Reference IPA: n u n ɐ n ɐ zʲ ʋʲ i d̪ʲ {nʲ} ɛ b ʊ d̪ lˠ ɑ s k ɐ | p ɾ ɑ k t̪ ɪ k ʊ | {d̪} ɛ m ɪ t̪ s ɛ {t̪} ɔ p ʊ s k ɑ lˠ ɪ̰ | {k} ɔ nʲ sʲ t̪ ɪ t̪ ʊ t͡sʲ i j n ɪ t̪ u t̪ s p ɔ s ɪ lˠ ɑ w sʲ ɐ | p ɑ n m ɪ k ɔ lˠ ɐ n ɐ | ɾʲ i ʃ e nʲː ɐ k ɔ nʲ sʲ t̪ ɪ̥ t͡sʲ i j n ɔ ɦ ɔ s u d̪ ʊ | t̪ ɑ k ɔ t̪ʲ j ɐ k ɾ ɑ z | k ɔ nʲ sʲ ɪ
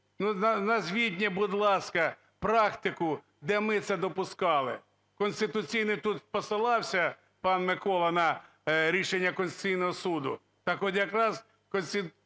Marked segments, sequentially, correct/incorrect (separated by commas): correct, correct, incorrect, correct